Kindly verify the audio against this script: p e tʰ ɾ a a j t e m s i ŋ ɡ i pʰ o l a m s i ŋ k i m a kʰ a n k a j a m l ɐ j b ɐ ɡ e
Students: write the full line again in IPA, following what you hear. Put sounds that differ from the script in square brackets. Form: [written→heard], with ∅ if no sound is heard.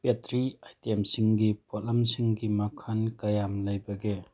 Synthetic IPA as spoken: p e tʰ ɾ [a→i] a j t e m s i ŋ ɡ i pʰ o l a m s i ŋ [k→ɡ] i m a kʰ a n k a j a m l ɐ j b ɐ ɡ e